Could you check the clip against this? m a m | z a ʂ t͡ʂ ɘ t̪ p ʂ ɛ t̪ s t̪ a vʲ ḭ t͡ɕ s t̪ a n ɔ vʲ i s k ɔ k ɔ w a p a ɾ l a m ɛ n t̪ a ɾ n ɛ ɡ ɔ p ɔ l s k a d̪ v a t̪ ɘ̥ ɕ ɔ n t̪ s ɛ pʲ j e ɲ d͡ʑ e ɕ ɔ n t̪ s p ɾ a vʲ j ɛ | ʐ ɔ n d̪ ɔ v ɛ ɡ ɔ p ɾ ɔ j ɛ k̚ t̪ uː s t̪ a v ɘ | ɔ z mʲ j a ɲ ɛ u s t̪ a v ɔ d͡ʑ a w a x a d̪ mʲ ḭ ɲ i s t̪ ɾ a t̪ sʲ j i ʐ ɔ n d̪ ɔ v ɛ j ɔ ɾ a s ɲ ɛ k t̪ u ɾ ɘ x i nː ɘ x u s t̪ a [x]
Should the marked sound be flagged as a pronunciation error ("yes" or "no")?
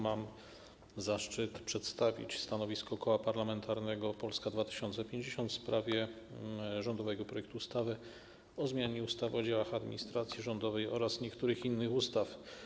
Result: yes